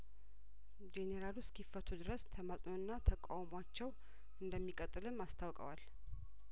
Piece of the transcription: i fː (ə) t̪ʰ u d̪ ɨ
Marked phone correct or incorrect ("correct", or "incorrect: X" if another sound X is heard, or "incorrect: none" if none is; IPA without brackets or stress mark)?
correct